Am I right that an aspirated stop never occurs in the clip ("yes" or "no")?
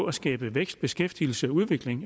yes